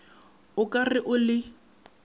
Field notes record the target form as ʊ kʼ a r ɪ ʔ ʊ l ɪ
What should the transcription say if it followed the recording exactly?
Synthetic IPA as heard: ʊ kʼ a r ɪ ʔ ʊ l ɪ

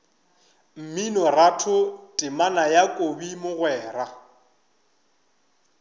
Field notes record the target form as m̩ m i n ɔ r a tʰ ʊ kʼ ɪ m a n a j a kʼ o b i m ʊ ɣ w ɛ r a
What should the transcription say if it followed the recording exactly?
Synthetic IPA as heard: m̩ m i n ɔ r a tʰ ʊ tʼ ɪ m a n a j a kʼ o b i m ʊ ɣ w ɛː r a

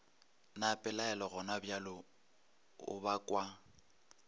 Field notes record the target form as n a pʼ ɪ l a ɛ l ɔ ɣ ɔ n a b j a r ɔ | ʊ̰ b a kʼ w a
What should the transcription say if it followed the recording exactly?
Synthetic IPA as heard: n a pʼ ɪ l a ɛ l ɔ ɣ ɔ n a b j a l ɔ | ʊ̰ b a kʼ w a

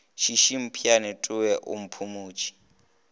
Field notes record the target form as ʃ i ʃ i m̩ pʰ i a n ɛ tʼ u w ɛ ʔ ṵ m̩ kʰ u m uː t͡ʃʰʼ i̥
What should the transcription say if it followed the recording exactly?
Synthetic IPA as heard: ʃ i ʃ i m̩ pʰ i a n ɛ tʼ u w ɛ ʔ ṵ m̩ pʰ u m uː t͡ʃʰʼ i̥

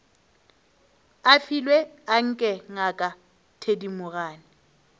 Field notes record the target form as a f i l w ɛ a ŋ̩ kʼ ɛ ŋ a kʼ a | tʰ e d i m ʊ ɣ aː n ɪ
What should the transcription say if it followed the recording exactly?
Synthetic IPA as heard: a f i l w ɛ a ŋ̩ kʼ ɛ ŋ a kʼ a | tʰ e d i m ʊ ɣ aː n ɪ

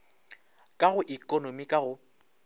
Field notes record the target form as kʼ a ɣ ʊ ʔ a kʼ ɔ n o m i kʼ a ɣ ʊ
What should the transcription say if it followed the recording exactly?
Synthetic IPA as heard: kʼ a ɣ ʊ ʔ i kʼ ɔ n o m i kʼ a ɣ ʊ

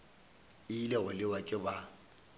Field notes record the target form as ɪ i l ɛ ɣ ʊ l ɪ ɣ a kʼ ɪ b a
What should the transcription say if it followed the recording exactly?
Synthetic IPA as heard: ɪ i l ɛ ɣ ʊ l ɪ w a kʼ ɪ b a

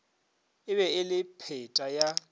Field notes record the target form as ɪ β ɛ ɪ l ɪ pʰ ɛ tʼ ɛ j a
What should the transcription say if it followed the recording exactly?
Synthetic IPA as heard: ɪ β ɛ ɪ l ɪ pʰ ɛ tʼ a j a

